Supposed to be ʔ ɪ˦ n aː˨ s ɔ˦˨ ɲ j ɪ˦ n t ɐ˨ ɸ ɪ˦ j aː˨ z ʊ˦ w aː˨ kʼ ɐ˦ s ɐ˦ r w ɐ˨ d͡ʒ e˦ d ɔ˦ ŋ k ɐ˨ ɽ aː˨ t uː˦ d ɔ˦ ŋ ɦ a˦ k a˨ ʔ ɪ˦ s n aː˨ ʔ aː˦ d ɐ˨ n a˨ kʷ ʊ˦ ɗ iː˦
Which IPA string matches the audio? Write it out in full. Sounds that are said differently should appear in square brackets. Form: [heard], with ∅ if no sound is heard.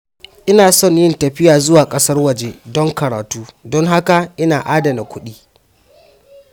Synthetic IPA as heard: ʔ ɪ˦ n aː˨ s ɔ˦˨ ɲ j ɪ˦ n t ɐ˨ ɸ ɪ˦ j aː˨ z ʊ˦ w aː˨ kʼ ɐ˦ s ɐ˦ r w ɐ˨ d͡ʒ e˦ d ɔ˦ ŋ k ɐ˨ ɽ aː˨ t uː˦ d ɔ˦ ŋ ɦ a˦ k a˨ ʔ ɪ˦ [∅] n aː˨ ʔ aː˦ d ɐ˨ n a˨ kʷ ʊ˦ ɗ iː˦